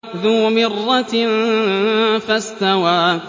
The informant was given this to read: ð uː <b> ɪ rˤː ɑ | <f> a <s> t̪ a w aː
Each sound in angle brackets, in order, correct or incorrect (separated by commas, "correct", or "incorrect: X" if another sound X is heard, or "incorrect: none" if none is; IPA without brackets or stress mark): incorrect: m, correct, correct